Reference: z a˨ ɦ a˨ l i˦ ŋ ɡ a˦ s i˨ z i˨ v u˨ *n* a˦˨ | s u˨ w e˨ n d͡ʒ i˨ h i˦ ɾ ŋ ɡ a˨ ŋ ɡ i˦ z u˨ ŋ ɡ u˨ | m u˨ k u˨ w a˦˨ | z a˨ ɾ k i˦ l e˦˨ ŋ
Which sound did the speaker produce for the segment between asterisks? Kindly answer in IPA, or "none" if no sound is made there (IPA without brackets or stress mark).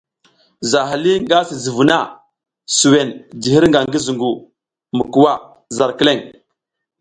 n